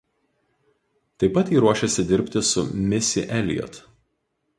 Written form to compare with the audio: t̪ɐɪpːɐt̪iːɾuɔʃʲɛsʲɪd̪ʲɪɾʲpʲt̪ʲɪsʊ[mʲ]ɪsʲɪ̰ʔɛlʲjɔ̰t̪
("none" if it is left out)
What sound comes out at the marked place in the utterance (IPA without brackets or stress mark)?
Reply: mʲ